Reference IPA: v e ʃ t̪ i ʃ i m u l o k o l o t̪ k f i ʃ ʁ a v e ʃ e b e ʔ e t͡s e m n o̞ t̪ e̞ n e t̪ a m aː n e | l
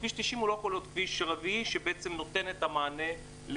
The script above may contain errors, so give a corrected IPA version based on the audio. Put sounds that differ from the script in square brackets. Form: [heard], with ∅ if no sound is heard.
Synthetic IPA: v [i] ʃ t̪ i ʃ i m u l o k o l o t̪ k [v] i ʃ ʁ a v [i] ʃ e b e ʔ e t͡s e m n o̞ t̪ e̞ n e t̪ a m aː n e | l